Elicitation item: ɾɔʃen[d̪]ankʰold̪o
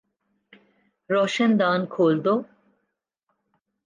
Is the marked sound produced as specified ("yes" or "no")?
yes